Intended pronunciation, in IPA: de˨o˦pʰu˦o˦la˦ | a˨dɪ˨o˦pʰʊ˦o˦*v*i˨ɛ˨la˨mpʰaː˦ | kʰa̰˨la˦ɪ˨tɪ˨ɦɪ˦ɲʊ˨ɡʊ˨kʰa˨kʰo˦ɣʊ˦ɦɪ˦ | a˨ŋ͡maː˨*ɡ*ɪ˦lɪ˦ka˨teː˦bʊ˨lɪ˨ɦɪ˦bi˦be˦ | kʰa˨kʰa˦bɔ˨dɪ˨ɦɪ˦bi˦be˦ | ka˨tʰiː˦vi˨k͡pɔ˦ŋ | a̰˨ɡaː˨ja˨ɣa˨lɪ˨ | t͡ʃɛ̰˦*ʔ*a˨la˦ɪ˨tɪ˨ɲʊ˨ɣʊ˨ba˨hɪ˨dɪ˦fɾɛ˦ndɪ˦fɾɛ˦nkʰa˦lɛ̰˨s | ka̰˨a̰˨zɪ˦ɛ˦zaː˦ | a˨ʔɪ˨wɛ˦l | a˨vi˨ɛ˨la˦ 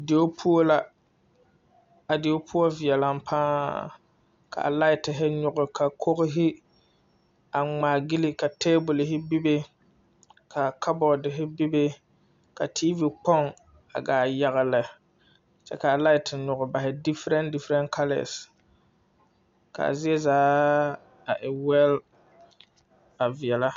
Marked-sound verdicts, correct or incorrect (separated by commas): correct, correct, incorrect